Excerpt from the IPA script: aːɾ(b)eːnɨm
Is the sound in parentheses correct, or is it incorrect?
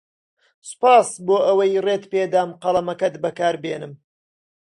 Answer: correct